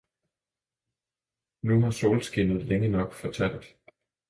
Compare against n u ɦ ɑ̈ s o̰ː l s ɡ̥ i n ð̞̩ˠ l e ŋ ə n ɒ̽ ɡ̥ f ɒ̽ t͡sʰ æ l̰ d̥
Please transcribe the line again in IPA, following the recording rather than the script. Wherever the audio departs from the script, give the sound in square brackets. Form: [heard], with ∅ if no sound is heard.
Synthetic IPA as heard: n u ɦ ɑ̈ s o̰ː l s ɡ̥ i n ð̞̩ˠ l e ŋ ə n ɒ̽ ɡ̥ f ɒ̽ t͡sʰ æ l̰ d̥

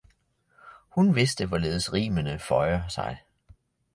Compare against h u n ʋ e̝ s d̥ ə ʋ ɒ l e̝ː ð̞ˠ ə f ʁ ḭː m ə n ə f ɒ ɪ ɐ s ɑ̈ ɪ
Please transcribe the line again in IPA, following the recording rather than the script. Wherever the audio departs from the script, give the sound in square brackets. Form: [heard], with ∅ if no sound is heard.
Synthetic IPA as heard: h u n ʋ e̝ s d̥ ə ʋ ɒ l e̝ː ð̞ˠ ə [s] ʁ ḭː m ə n ə f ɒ ɪ ɐ s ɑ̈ ɪ

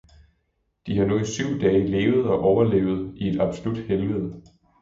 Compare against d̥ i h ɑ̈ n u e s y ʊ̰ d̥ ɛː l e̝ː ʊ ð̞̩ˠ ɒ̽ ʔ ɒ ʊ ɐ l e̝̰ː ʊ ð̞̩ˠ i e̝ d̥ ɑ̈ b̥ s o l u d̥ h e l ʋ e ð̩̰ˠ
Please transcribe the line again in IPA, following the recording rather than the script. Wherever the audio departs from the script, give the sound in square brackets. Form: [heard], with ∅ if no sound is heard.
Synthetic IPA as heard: d̥ i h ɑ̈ n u [i] s y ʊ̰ d̥ ɛː l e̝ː ʊ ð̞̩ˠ ɒ̽ ʔ ɒ ʊ ɐ l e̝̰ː ʊ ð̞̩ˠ i e̝ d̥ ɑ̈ b̥ s o l u d̥ h e l ʋ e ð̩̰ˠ

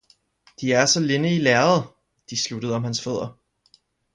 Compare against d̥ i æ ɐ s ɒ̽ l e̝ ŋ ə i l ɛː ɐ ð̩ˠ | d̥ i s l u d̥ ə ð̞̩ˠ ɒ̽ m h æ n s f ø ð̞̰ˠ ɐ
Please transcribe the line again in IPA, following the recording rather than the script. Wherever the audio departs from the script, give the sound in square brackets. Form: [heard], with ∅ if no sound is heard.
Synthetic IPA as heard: d̥ i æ ɐ s ɒ̽ l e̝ [n] ə i l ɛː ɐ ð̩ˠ | d̥ i s l u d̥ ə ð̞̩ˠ ɒ̽ m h æ n s f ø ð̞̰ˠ ɐ

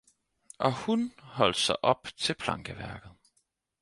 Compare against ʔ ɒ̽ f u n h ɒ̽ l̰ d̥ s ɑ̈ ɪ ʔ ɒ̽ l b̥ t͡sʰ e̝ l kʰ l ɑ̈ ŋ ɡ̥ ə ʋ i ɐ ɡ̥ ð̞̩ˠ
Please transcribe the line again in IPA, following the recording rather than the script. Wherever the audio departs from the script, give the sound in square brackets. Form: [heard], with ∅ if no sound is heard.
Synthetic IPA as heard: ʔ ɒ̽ [h] u n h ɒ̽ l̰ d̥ s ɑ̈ ɪ ʔ ɒ̽ [∅] b̥ t͡sʰ e̝ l [pʰ] l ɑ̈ ŋ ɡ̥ ə ʋ [æ] ɐ ɡ̥ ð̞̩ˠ

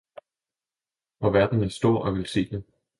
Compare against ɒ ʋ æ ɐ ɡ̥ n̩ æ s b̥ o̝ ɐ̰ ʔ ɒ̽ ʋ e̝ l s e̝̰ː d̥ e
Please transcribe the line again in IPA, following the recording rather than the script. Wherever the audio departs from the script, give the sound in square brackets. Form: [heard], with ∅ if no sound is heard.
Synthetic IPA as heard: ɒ ʋ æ ɐ [d̥] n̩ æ s [d̥] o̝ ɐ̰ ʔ ɒ̽ ʋ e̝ l s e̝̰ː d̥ e

